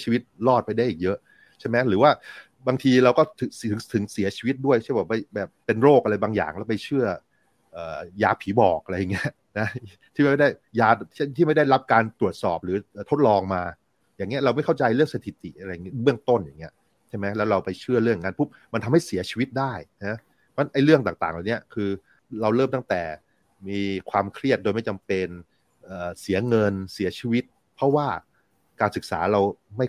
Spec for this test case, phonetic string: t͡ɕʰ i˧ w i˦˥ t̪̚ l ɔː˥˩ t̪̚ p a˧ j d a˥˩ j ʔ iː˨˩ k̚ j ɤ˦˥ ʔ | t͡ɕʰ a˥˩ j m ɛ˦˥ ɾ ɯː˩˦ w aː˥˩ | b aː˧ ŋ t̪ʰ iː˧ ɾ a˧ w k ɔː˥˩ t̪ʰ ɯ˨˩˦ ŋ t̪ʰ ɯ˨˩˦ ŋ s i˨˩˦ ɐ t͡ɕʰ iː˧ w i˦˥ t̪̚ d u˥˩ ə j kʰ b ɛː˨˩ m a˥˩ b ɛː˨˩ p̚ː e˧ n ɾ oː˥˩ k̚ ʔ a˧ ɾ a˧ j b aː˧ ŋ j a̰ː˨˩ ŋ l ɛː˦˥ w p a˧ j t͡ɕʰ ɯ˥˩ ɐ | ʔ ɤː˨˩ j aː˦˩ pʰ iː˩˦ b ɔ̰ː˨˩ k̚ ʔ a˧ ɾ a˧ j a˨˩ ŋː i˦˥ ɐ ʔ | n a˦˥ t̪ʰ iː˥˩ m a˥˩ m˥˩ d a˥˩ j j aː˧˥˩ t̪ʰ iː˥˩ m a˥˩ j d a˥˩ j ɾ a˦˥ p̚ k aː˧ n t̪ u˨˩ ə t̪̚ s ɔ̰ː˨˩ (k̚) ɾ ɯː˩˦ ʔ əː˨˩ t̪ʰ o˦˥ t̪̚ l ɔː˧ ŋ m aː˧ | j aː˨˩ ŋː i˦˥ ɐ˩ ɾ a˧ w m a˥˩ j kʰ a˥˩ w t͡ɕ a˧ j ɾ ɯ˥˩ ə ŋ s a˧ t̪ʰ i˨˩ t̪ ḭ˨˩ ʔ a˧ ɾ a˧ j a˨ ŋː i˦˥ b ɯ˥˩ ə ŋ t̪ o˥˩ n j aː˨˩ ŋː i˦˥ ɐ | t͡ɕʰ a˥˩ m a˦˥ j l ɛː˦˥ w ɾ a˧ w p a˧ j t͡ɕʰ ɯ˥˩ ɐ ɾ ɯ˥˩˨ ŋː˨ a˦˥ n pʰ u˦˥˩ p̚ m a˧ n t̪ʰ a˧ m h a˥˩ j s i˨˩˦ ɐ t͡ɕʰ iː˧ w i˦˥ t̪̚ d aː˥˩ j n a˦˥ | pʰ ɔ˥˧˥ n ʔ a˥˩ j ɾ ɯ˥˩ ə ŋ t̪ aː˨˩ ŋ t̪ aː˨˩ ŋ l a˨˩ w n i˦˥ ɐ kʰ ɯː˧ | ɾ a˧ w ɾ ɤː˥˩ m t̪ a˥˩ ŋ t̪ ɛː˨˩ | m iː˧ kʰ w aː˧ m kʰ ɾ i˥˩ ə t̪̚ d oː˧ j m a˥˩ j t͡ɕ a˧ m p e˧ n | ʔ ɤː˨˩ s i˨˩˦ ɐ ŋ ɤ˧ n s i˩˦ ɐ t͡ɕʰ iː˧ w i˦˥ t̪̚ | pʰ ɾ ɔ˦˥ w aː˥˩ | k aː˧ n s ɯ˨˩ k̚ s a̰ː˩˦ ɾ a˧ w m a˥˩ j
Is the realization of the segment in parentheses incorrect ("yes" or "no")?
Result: yes